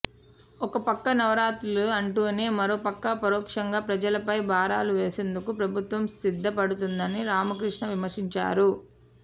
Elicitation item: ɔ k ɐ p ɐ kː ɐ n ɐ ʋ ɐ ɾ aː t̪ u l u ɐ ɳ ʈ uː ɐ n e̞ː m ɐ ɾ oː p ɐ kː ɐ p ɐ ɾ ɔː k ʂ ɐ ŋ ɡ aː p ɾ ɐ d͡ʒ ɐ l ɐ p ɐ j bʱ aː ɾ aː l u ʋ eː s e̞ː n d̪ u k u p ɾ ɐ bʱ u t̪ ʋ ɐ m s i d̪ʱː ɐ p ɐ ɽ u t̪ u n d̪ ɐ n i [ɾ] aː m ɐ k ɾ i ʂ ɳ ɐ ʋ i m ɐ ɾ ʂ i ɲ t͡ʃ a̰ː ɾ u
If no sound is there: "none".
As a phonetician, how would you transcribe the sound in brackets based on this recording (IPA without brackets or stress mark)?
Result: ɾ